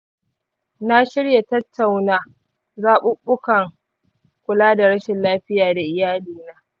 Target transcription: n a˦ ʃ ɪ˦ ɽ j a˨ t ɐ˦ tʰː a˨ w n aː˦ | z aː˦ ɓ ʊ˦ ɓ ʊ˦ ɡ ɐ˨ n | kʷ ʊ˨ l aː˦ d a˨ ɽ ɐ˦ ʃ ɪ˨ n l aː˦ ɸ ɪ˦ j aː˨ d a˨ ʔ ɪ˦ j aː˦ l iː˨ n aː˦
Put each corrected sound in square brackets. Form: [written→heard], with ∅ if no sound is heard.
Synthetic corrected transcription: n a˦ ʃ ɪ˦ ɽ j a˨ t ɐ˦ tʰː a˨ w n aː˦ | z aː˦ ɓ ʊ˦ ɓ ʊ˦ [ɡ→k] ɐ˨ [n→ŋ] | kʷ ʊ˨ l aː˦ d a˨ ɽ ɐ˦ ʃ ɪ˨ n l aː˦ ɸ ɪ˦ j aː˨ d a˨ ʔ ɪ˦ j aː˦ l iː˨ n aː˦